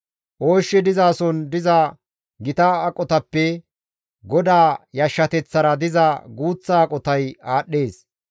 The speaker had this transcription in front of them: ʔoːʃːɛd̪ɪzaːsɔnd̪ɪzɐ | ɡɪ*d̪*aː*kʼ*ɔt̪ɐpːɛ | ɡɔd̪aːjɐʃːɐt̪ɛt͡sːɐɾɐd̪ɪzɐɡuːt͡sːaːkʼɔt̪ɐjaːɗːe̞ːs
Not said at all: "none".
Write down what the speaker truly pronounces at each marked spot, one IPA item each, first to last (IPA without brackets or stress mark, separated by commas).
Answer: t̪, kʼ